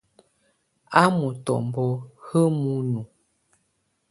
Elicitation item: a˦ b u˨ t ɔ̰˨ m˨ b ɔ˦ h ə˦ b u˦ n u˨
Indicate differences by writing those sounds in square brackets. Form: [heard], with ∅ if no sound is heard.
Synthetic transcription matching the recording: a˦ [m] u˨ t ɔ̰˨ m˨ b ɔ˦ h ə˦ [m] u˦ n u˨